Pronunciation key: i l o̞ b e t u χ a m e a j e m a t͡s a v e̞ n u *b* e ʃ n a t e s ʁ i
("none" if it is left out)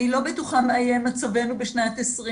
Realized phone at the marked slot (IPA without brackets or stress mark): b